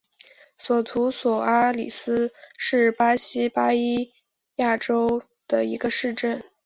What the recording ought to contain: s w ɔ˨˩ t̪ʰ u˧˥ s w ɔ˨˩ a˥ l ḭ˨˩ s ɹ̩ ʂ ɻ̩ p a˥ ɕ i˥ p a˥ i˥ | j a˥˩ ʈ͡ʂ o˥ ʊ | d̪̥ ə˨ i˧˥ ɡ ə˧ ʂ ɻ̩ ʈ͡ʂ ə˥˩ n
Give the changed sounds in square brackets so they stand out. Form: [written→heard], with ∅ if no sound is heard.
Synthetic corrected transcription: s w ɔ˨˩ t̪ʰ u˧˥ s w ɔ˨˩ a˥ l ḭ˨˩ s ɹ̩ ʂ ɻ̩ p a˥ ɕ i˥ p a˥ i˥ | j a˥˩ ʈ͡ʂ o˥ ʊ | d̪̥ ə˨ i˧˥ ɡ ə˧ ʂ ɻ̩ ʈ͡ʂ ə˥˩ n

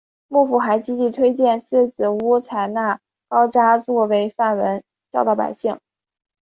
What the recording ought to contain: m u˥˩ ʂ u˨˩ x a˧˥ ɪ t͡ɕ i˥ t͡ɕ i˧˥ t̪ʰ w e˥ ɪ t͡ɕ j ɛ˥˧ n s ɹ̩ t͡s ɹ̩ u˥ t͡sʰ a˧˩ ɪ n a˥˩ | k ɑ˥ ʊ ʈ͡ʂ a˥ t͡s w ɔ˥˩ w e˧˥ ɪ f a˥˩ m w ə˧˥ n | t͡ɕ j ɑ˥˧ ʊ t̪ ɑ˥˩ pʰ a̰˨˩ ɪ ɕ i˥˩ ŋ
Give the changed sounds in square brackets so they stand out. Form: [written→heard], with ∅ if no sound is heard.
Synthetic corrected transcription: m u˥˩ [ʂ→f] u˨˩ x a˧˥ ɪ t͡ɕ i˥ t͡ɕ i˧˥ t̪ʰ w e˥ ɪ t͡ɕ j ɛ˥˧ n s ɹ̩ t͡s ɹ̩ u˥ t͡sʰ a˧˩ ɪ n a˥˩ | k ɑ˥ ʊ ʈ͡ʂ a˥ t͡s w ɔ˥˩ w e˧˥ ɪ f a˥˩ [m→n] w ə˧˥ n | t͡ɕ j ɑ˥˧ ʊ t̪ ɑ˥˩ [pʰ→p] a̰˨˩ ɪ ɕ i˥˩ ŋ

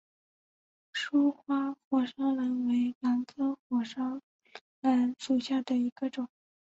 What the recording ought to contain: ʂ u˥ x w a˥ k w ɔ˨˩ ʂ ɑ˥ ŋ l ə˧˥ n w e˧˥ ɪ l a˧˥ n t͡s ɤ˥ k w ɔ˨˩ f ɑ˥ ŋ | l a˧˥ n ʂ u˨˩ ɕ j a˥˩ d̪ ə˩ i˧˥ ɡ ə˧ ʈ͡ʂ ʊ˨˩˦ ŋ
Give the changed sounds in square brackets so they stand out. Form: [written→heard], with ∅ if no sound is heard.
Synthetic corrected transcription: ʂ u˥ x w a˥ [k→x] w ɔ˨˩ ʂ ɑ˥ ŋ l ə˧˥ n w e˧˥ ɪ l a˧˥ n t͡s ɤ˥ [k→x] w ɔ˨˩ [f→ʂ] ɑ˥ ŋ | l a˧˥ n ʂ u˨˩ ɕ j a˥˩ d̪ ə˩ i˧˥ ɡ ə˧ ʈ͡ʂ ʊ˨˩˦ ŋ

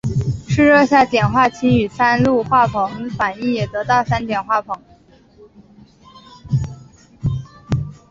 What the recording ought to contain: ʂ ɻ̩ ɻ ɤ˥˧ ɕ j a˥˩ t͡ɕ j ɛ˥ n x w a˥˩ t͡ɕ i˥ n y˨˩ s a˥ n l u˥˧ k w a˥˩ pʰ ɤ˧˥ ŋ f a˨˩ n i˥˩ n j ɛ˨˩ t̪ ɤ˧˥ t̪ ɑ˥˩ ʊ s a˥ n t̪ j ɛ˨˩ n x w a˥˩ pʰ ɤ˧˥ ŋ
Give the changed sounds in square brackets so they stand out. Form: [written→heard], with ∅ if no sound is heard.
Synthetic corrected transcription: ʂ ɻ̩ ɻ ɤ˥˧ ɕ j a˥˩ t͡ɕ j [ɛ˥→ɛ˨˩] n x w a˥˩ [t͡ɕ→t͡ɕʰ] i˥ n y˨˩ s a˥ n l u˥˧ [k→x] w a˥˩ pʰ ɤ˧˥ ŋ f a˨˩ n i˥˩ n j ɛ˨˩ t̪ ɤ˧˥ t̪ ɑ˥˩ ʊ s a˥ n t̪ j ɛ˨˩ n x w a˥˩ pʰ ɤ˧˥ ŋ

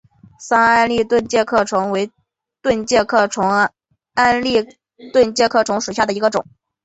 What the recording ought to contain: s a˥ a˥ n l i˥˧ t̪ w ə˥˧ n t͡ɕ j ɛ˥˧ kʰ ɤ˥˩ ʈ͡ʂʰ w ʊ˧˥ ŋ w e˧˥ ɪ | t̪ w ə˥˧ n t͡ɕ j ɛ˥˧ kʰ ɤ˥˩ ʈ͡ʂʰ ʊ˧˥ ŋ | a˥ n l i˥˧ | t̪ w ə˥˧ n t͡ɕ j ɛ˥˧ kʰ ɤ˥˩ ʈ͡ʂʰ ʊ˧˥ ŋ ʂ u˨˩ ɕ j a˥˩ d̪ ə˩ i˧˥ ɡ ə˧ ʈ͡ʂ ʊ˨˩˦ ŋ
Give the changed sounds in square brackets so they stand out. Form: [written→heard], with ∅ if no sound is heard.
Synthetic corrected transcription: s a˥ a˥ n l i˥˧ t̪ w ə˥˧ n t͡ɕ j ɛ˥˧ kʰ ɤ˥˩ ʈ͡ʂʰ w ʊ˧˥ ŋ w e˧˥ ɪ | t̪ w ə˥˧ n t͡ɕ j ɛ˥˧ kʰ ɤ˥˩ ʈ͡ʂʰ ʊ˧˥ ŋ | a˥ n l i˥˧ | t̪ w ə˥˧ n t͡ɕ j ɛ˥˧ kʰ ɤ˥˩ ʈ͡ʂʰ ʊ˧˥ ŋ ʂ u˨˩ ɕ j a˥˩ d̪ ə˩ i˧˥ ɡ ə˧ ʈ͡ʂ ʊ˨˩˦ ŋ

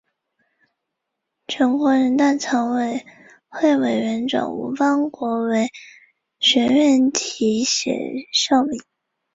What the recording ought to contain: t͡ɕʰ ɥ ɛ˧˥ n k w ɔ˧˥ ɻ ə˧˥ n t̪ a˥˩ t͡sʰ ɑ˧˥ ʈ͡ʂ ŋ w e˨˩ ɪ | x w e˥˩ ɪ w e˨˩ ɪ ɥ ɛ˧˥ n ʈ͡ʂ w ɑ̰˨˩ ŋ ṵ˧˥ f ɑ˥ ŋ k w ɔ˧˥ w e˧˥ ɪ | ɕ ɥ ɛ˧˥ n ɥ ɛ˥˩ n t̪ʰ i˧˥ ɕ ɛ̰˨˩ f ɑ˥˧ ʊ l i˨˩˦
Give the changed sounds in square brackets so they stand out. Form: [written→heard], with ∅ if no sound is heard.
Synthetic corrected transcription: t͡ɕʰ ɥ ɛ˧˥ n k w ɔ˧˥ ɻ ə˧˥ n t̪ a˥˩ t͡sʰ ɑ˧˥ [ʈ͡ʂ→∅] ŋ w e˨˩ ɪ | x w e˥˩ ɪ w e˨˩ ɪ ɥ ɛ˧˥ n ʈ͡ʂ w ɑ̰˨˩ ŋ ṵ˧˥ f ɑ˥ ŋ k w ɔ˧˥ w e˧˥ ɪ | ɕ ɥ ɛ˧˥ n ɥ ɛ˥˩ n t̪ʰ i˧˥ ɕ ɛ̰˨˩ [f→ʂ] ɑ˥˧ ʊ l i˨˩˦

